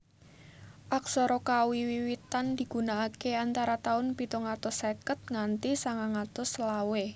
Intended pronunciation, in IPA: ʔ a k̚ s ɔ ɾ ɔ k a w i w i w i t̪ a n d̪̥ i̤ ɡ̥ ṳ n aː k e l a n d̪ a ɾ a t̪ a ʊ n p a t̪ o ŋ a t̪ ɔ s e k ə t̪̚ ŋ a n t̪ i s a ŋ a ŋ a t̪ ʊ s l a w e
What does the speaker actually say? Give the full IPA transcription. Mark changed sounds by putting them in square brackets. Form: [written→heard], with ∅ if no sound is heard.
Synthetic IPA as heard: ʔ a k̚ s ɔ ɾ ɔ k a w i w i w i t̪ a n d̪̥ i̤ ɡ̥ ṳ n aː k e [l→∅] a n [d̪→t̪] a ɾ a t̪ a ʊ n p [a→i] t̪ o ŋ a t̪ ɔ s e k ə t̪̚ ŋ a n t̪ i s a ŋ a ŋ a t̪ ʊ s l a w e